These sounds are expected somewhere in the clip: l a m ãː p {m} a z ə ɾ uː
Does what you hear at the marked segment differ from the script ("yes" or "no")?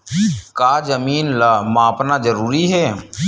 yes